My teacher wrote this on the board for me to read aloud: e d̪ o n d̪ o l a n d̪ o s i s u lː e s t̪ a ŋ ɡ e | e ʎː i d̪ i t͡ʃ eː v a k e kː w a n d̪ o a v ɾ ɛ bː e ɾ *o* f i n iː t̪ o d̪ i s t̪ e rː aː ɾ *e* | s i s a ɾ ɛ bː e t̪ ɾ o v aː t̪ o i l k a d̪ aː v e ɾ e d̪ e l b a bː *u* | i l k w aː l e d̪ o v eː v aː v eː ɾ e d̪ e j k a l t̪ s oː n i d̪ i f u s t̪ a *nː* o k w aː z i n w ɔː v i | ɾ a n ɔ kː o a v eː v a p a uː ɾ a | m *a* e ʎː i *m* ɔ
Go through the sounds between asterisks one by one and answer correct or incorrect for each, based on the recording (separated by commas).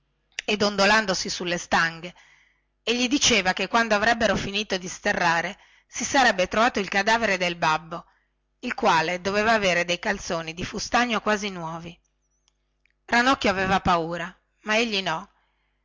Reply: correct, correct, incorrect, incorrect, correct, incorrect